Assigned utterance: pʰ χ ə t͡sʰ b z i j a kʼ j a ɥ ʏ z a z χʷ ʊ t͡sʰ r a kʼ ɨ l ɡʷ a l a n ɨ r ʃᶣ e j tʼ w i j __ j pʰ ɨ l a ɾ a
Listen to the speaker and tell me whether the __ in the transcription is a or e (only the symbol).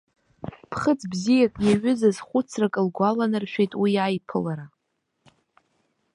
a